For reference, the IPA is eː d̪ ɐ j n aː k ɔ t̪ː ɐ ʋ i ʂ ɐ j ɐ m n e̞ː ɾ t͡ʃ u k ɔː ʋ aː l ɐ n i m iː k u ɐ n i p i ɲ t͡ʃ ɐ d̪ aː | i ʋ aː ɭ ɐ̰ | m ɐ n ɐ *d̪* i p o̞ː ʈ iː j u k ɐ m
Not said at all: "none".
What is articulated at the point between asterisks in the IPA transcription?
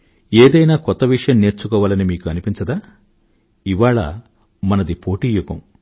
d̪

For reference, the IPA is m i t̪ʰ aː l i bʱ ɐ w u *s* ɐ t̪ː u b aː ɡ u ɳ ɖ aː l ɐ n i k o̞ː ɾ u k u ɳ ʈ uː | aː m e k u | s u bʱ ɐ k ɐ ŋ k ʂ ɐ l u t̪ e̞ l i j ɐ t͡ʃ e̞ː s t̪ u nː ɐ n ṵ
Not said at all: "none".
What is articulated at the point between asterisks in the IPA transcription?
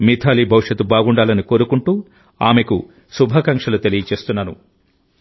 ʂ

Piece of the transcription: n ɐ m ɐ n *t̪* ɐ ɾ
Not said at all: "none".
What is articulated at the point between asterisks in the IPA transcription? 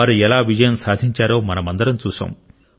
d̪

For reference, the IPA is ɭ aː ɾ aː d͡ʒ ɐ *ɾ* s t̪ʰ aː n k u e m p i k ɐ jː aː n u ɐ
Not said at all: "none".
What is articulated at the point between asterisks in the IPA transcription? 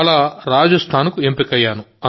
none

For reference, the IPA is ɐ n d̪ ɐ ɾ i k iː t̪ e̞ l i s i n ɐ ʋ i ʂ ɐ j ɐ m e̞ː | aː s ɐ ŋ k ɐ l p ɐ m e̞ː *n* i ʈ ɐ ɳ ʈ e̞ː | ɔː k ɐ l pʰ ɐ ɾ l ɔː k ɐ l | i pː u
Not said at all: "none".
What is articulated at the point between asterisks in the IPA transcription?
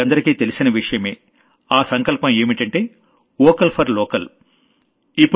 m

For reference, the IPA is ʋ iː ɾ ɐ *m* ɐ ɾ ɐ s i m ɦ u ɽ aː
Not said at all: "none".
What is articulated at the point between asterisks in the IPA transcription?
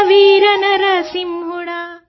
n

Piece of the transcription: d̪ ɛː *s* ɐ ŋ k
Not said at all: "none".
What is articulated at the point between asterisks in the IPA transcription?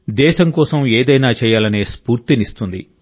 ʃ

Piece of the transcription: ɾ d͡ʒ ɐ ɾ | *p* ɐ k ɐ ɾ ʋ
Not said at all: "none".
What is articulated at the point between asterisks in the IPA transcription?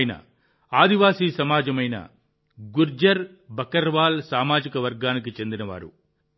b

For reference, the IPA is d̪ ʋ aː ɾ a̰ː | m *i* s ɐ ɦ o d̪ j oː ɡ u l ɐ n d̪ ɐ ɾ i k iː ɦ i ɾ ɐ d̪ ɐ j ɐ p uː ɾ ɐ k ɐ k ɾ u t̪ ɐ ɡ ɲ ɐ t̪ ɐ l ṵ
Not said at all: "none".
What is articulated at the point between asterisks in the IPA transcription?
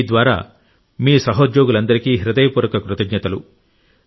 iː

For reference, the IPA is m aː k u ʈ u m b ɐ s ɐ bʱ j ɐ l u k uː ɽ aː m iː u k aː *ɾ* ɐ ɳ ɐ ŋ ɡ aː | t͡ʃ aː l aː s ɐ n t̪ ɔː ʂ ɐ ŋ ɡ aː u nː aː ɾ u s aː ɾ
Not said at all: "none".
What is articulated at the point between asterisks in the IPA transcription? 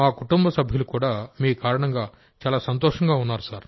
ɾ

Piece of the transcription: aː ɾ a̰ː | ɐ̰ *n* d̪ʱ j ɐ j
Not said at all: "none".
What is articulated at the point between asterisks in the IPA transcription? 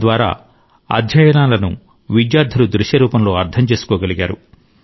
none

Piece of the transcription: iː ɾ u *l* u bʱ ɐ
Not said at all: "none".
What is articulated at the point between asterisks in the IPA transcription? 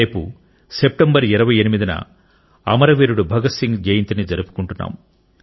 ɽ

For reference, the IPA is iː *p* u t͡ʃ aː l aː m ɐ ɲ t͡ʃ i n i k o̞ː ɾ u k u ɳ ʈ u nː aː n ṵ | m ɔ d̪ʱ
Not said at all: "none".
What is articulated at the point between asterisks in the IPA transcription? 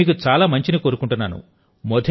k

